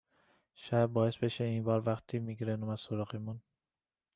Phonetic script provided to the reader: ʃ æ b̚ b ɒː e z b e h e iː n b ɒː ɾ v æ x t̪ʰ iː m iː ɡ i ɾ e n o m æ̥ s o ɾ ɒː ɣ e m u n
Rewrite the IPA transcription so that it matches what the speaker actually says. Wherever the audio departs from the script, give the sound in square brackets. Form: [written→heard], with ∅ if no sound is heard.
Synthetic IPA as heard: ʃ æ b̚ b ɒː e [z→s] b e [h→ʃ] e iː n b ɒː ɾ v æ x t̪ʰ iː m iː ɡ i ɾ e n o m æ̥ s o ɾ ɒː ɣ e m u n